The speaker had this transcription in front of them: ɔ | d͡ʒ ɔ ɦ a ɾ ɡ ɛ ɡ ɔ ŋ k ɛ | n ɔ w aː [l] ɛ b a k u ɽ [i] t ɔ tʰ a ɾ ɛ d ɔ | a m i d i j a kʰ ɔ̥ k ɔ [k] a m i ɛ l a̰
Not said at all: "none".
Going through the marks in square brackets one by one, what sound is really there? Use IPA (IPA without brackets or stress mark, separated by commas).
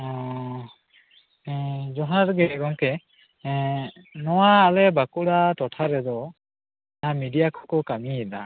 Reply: l, a, k